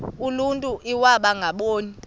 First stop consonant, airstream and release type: ejective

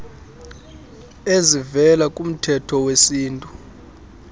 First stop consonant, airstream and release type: ejective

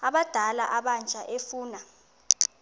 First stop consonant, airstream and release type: implosive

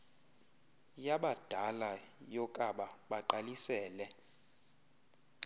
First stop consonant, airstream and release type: implosive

